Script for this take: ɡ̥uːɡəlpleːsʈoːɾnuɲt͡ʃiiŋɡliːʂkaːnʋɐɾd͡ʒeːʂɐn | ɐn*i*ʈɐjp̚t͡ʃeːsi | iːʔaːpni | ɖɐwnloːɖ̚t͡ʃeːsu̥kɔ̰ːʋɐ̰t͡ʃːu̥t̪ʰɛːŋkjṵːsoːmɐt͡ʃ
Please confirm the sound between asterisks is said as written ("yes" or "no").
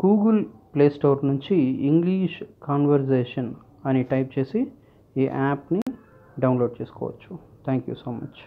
yes